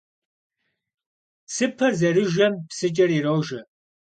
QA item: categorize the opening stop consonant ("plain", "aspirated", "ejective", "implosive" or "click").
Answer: aspirated